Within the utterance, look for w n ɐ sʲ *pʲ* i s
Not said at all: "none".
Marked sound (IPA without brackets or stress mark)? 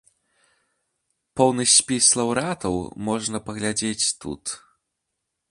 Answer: pʲ